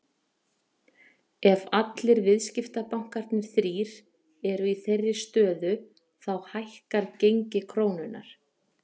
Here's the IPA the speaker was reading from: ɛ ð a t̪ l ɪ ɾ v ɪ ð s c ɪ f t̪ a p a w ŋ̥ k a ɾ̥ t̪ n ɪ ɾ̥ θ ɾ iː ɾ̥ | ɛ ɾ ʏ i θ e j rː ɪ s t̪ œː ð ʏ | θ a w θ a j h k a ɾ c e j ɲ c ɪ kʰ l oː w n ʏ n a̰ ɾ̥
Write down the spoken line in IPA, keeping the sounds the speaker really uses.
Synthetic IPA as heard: ɛ v a t̪ l ɪ ɾ v ɪ ð s c ɪ f t̪ a p a w ŋ̥ k a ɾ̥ t̪ n ɪ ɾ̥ θ ɾ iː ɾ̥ | ɛ ɾ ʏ i θ e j rː ɪ s t̪ œː ð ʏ | θ a w h a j h k a ɾ c e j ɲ c ɪ kʰ ɾ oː w n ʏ n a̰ ɾ̥